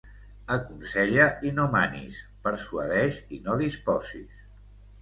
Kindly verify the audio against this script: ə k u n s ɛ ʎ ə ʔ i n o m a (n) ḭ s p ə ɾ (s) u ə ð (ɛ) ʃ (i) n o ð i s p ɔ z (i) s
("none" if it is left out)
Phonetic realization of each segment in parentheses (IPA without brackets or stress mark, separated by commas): n, s, ɛ, i, i